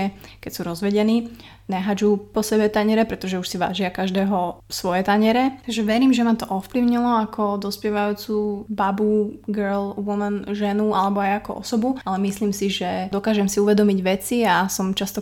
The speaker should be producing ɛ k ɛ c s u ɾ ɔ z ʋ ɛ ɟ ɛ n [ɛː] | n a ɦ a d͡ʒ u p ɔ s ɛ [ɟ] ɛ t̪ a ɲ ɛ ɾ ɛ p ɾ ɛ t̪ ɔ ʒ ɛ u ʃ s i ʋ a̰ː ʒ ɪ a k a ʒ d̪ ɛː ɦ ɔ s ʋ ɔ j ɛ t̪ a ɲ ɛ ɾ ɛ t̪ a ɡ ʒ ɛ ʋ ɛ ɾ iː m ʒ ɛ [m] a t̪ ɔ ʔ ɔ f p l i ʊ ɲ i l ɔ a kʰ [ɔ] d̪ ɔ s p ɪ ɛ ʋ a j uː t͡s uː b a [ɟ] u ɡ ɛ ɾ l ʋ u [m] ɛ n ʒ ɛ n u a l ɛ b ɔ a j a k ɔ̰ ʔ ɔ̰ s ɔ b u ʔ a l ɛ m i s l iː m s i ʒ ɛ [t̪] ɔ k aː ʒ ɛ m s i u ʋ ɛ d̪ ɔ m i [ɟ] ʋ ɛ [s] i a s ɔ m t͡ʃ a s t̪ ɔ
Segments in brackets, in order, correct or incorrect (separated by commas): incorrect, incorrect, correct, correct, incorrect, correct, incorrect, correct, incorrect